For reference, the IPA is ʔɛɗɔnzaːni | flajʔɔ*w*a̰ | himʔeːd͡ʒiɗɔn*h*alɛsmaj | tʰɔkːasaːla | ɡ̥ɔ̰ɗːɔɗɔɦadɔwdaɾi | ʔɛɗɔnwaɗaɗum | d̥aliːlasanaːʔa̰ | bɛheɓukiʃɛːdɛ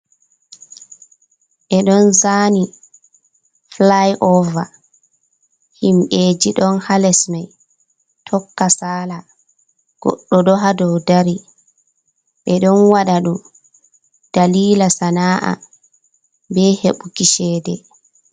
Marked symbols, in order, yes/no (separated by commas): no, yes